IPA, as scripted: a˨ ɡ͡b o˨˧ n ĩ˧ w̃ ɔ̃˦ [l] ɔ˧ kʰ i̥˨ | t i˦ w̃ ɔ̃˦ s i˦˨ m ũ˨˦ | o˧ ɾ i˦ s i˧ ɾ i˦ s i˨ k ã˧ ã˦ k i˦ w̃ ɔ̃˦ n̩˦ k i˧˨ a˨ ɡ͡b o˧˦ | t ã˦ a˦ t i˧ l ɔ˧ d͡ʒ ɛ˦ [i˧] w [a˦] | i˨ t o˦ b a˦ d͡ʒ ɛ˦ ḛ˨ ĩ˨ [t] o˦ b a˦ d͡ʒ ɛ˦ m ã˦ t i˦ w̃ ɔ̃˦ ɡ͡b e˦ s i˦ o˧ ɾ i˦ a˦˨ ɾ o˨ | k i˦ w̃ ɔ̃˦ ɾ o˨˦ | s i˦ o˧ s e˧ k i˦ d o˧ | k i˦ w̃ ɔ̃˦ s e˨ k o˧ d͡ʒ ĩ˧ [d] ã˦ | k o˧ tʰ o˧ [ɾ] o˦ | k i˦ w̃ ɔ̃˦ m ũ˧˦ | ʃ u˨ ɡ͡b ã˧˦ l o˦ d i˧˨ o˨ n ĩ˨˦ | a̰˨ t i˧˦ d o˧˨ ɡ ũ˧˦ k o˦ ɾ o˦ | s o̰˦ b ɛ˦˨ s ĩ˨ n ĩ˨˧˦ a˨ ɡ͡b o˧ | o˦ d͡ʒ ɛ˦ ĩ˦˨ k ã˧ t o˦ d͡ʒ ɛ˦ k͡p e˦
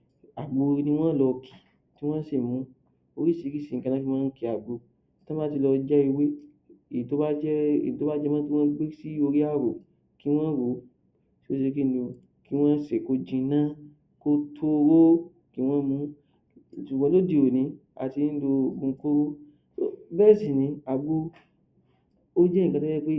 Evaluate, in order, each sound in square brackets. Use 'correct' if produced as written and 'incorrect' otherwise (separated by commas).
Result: correct, correct, incorrect, correct, incorrect, correct